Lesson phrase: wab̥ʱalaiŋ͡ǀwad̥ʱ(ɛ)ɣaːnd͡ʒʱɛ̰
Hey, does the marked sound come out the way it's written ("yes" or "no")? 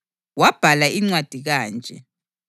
no